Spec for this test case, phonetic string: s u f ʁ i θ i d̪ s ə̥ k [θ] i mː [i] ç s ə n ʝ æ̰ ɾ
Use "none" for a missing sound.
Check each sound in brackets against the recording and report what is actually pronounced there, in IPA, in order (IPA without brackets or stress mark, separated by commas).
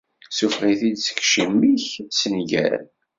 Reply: ʃ, i